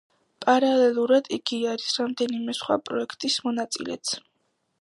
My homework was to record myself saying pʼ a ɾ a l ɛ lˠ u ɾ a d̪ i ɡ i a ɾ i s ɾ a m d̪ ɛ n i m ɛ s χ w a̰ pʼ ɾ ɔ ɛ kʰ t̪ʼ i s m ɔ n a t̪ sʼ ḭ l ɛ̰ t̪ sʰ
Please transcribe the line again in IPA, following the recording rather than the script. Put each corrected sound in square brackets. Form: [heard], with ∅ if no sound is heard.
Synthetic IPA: pʼ a ɾ a l ɛ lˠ u ɾ a d̪ i ɡ i a ɾ i s ɾ a m d̪ ɛ n i m ɛ s χ w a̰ pʼ ɾ ɔ ɛ kʰ t̪ʼ i s m ɔ n a t̪ sʼ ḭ l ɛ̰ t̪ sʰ